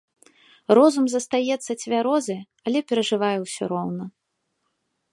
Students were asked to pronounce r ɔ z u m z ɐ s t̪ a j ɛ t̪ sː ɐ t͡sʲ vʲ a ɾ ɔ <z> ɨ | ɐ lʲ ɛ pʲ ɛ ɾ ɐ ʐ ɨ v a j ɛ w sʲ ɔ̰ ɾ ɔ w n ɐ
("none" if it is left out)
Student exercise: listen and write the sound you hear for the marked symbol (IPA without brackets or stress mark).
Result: z